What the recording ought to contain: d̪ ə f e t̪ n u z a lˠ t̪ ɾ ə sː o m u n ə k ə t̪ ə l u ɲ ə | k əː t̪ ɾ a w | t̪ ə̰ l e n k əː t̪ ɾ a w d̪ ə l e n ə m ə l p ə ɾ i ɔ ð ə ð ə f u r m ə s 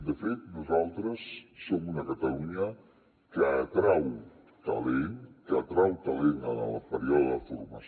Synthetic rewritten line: d̪ ə f e t̪ n u z a lˠ t̪ ɾ ə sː o m u n ə k ə t̪ ə l u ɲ ə | k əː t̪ ɾ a w | t̪ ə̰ l e n k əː t̪ ɾ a w t̪ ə l e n ə n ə l p ə ɾ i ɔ ð ə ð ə f u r m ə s